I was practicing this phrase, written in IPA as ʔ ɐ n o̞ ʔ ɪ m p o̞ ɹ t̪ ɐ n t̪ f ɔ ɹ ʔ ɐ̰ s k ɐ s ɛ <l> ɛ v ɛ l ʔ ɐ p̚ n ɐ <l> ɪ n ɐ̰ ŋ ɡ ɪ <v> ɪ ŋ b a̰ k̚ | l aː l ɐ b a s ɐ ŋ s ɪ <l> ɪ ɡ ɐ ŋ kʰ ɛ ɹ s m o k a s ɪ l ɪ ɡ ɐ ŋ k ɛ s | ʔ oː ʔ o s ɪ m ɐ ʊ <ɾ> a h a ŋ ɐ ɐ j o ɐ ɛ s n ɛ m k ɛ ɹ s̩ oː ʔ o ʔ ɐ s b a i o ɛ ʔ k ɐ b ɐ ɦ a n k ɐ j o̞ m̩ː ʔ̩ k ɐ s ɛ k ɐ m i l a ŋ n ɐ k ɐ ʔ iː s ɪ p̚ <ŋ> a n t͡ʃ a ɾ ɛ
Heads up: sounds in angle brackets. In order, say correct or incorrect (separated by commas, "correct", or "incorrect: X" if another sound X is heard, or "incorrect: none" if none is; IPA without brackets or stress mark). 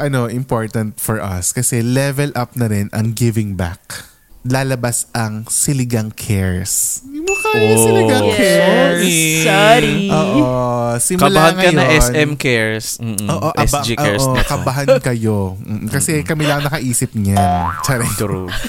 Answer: correct, incorrect: ɾ, correct, correct, incorrect: l, incorrect: ɲ